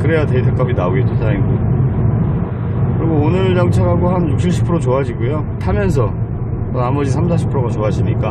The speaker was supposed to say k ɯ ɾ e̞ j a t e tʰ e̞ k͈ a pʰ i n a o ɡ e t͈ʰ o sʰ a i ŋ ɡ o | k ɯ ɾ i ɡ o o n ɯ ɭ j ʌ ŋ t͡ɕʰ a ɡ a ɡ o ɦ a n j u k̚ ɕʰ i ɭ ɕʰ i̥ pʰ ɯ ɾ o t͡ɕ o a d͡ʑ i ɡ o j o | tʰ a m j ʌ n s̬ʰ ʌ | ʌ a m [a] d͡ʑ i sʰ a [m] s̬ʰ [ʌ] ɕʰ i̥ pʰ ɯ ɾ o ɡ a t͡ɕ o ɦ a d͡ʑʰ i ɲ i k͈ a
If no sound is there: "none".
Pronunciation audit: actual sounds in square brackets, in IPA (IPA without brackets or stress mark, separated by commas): ʌ, m, a